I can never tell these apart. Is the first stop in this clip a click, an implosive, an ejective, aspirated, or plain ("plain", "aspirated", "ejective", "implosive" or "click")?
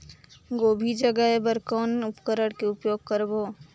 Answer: plain